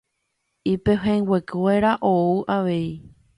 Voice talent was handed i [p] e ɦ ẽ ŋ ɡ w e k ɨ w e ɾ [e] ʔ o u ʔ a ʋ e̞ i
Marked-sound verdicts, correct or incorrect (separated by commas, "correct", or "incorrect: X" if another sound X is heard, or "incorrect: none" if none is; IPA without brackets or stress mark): correct, incorrect: a